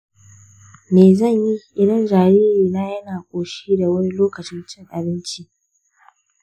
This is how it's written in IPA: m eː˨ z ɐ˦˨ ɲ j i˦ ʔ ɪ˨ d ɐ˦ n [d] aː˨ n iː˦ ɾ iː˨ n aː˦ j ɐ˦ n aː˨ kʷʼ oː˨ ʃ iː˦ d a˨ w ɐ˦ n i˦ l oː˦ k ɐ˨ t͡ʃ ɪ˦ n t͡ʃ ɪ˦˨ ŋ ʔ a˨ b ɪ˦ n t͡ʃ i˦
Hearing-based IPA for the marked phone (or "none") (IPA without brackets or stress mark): d͡ʒ